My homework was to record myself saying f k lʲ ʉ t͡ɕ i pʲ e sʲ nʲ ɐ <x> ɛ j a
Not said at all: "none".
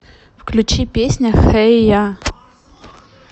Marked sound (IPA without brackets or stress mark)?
x